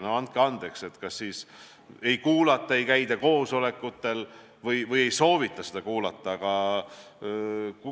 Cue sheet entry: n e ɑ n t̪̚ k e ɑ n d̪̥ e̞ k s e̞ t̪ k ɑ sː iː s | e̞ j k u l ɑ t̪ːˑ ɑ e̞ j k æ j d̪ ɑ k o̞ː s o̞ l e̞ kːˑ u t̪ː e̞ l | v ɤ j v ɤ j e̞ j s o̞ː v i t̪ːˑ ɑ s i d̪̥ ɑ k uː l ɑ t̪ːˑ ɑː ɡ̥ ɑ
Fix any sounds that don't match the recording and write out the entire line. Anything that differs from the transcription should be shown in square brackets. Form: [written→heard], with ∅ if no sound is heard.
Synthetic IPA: n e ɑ n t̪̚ k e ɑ n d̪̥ e̞ k s e̞ t̪ k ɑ sː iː s | e̞ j k [u→uː] l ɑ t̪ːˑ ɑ e̞ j k æ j d̪ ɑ k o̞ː s o̞ l e̞ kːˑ u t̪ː e̞ l | v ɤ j v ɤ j e̞ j s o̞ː v i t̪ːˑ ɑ s [i→e] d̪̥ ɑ k uː l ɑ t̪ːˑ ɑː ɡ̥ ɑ